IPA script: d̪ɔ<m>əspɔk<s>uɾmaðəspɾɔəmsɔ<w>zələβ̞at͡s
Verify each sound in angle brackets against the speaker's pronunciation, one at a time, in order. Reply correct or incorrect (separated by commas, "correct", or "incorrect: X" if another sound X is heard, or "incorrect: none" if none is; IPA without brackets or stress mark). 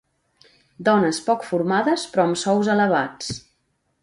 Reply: incorrect: n, incorrect: f, correct